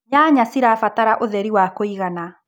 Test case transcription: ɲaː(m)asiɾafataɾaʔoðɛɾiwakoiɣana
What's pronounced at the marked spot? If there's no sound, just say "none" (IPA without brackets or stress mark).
ɲ